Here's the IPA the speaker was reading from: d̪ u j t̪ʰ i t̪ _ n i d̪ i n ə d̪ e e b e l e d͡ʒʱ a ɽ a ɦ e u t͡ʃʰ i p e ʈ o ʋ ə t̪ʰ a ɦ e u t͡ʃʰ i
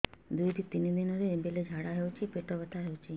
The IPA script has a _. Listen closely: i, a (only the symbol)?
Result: i